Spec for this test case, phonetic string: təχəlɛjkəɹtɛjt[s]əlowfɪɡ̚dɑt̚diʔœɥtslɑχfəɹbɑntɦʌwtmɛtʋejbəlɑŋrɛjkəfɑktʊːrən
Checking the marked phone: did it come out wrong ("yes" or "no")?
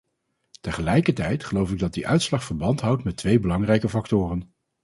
yes